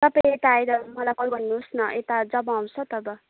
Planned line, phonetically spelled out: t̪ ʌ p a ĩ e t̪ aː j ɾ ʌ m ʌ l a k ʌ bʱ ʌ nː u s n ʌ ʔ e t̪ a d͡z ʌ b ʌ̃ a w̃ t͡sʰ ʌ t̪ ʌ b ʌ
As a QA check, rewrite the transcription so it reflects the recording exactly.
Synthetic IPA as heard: t̪ ʌ p a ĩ e t̪ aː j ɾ ʌ m ʌ l a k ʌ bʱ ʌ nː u s n ʌ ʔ e t̪ a d͡z ʌ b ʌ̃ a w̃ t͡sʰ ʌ t̪ ʌ b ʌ